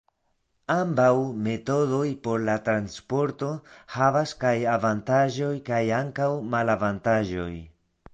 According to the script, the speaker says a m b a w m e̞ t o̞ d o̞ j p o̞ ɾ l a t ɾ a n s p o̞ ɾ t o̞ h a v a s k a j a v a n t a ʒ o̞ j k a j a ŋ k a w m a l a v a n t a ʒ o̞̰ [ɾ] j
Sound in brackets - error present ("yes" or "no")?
yes